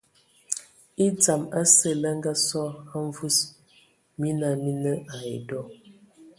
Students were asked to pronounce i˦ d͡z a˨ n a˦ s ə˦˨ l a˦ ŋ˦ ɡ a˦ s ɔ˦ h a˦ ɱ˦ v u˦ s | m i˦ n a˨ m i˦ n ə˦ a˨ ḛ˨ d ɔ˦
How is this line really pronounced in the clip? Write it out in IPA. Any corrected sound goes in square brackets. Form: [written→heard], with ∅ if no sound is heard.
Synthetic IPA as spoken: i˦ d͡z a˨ [n→m] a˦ s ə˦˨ l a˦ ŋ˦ ɡ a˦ s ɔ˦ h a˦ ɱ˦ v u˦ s | m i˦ n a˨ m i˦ n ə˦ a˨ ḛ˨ d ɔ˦